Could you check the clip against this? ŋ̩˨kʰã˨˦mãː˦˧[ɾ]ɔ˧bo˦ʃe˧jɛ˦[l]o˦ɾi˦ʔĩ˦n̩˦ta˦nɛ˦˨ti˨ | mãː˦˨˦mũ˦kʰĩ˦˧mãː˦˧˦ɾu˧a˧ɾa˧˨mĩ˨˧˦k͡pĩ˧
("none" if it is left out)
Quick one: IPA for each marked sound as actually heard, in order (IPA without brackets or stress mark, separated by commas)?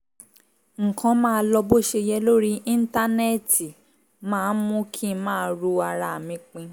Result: l, l